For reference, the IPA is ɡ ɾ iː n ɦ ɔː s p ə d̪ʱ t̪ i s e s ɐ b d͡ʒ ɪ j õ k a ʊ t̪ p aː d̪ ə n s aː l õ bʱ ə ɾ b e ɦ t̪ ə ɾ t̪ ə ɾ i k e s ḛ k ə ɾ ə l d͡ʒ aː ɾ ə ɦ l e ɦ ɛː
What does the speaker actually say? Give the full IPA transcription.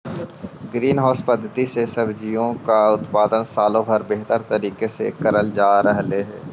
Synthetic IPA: ɡ ɾ iː n ɦ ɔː s p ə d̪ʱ t̪ i s e s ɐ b d͡ʒ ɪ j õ k a ʊ t̪ p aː d̪ ə n s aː l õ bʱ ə ɾ b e ɦ t̪ ə ɾ t̪ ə ɾ iː k e s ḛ k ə ɾ ə l d͡ʒ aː ɾ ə ɦ l e ɦ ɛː